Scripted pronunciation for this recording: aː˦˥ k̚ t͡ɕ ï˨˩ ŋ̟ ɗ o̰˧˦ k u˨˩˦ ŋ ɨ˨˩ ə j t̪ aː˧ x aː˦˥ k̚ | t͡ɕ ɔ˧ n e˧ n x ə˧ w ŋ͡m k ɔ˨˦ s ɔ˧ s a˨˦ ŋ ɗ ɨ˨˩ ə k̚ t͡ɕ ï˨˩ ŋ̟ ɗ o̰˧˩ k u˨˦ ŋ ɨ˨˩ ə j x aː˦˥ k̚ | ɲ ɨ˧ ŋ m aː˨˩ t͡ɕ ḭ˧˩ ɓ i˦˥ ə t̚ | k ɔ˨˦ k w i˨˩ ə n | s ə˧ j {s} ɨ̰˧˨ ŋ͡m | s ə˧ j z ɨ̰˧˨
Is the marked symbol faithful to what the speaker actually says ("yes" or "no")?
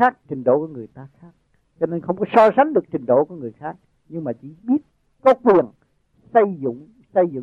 no